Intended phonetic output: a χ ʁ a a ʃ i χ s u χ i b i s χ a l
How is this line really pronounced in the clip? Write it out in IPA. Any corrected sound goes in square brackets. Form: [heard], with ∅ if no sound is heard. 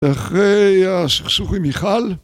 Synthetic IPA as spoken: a χ ʁ [e] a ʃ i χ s u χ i [m] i [∅] χ a l